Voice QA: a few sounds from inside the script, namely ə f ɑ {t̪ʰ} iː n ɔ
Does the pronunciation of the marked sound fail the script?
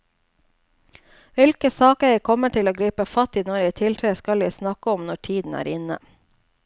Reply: yes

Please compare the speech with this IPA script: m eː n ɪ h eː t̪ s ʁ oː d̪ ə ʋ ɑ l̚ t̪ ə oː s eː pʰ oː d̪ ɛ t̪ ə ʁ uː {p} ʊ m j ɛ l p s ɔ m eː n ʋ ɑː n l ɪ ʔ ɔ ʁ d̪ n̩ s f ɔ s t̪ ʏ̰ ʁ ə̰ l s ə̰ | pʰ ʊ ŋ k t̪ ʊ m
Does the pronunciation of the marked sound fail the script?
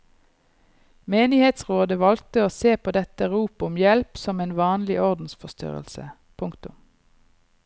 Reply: no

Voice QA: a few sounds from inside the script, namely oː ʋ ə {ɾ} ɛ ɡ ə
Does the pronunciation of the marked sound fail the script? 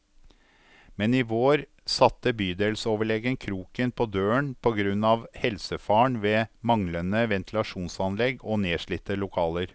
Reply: yes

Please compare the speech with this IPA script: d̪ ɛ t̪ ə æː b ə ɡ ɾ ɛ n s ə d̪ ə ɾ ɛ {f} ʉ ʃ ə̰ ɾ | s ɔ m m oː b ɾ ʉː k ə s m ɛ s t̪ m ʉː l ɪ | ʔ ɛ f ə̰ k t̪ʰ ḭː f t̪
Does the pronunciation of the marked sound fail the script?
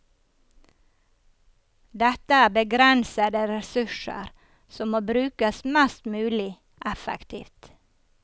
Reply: yes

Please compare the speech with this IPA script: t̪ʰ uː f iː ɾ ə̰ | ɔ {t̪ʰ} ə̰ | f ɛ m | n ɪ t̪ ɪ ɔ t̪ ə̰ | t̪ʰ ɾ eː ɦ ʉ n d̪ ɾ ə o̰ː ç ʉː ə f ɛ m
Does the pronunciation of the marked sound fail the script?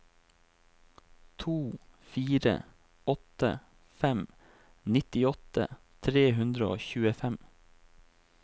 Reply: yes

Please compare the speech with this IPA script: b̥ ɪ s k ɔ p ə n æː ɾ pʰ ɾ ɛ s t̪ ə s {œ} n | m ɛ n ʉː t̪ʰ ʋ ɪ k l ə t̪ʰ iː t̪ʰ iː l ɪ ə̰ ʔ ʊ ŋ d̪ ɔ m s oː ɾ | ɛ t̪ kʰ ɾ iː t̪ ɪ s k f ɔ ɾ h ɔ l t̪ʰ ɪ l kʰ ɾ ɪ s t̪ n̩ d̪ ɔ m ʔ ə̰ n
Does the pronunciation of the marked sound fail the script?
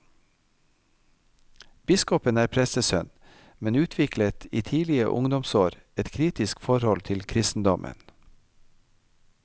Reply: no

